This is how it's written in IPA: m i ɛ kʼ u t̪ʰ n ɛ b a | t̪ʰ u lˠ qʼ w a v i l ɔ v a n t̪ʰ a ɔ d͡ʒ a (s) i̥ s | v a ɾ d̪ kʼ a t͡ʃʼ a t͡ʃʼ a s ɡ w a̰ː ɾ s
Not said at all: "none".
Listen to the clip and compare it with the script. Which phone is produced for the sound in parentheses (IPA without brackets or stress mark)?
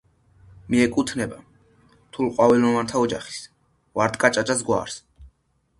χ